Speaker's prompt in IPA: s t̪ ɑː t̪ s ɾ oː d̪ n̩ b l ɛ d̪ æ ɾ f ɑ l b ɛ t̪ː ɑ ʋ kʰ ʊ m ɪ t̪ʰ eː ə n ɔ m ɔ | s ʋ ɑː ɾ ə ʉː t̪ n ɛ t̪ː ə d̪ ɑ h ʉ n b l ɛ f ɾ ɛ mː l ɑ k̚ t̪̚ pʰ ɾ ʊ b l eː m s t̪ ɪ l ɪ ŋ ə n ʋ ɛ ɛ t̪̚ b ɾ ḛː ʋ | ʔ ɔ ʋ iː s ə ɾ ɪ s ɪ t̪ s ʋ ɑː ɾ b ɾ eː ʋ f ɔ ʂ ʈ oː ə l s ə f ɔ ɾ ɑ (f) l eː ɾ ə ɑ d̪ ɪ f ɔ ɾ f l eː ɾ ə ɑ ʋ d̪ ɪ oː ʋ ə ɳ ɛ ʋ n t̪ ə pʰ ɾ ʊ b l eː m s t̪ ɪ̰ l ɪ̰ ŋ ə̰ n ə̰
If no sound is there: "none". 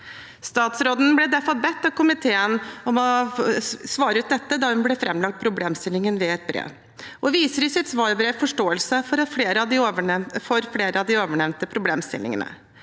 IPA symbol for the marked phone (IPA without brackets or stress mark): f